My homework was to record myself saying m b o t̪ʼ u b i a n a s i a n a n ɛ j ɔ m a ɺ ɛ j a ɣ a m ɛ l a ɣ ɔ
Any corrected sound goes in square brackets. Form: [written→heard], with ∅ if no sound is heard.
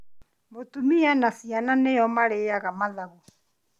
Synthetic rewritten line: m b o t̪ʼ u [b→m] i a n a s i a n a n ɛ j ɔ m a ɺ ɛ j a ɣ a m [ɛ→a] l a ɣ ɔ